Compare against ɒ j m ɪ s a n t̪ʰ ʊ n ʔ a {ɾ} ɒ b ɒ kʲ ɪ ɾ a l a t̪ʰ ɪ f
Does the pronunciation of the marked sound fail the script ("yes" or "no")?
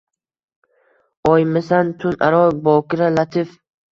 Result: no